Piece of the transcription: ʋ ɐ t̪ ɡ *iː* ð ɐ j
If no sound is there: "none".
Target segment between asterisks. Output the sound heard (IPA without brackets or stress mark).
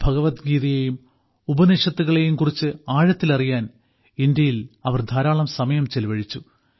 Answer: iː